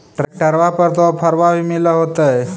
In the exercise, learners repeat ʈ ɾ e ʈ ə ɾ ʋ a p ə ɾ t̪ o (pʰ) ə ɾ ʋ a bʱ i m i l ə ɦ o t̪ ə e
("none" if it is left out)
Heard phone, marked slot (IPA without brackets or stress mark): pʰ